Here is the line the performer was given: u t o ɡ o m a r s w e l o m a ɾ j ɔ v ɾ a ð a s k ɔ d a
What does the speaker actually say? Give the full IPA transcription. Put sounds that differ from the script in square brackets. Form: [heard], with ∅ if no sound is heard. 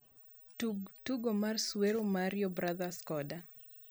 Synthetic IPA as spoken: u t [u] ɡ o m a r s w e [ɾ] o m a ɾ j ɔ [b] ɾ a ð a s k ɔ d a